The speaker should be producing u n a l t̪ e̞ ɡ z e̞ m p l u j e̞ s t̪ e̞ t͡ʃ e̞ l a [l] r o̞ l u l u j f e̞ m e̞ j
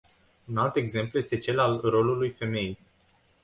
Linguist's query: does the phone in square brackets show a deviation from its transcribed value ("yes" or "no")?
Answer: no